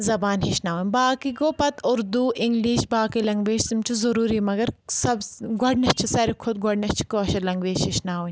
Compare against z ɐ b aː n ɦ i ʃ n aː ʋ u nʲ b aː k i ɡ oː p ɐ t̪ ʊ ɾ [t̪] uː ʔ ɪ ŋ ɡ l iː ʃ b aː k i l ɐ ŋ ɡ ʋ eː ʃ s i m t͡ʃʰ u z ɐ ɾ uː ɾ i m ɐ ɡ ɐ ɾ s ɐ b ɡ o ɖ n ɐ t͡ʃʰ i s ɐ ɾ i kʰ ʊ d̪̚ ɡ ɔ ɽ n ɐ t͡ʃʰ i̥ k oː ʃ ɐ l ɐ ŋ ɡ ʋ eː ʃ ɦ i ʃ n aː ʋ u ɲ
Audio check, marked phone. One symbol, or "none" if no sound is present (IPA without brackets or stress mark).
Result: d̪